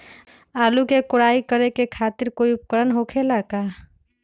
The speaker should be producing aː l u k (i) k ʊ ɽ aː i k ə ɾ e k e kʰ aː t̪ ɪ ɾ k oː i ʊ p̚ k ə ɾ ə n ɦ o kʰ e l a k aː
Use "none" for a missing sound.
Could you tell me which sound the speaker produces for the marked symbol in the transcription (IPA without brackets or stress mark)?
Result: e